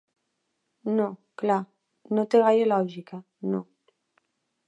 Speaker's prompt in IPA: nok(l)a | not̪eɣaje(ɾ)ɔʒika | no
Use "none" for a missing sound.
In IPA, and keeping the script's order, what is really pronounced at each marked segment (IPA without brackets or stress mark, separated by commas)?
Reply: l, l